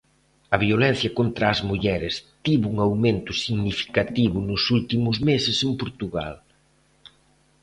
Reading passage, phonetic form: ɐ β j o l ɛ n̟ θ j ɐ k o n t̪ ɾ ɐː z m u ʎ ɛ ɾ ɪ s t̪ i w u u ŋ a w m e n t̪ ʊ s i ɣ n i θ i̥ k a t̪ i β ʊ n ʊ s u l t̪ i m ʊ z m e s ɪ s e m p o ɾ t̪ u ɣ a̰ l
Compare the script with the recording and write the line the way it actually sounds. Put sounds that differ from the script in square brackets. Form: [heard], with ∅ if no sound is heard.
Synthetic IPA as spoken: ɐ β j o l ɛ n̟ θ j ɐ k o n t̪ ɾ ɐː z m u ʎ ɛ ɾ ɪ s t̪ i [β] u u ŋ a w m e n t̪ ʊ s i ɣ n i [f] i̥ k a t̪ i β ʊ n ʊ s u l t̪ i m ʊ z m e s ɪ s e m p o ɾ t̪ u ɣ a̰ l